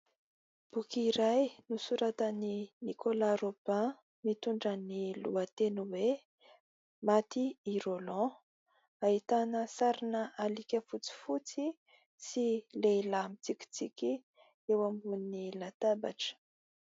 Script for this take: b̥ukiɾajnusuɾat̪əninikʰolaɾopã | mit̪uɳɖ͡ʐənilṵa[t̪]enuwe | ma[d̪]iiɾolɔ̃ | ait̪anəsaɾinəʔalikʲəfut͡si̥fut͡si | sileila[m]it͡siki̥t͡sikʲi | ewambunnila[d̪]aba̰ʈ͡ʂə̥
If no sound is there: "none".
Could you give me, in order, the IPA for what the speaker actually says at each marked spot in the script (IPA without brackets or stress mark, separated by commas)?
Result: t̪, t̪, m, t̪